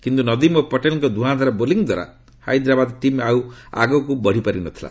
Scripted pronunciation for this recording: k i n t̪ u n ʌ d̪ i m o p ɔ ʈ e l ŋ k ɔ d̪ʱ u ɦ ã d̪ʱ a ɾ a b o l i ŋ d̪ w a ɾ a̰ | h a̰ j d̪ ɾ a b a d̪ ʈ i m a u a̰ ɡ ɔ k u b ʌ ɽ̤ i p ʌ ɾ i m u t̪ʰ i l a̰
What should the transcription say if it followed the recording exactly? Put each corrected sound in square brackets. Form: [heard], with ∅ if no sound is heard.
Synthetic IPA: k i n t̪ u n ʌ d̪ i m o p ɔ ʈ e l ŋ k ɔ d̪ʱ u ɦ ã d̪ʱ a ɾ a b o l i ŋ d̪ w a ɾ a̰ | h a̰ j d̪ ɾ a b a d̪ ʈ i m a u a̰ ɡ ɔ k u b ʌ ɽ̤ i p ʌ ɾ i [n] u t̪ʰ i l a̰